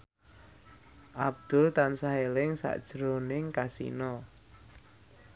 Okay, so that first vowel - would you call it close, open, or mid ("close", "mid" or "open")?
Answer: open